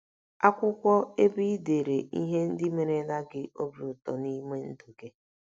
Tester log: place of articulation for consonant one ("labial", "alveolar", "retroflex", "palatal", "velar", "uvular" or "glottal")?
velar